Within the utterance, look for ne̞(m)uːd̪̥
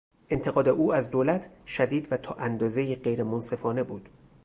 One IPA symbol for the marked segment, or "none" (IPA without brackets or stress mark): b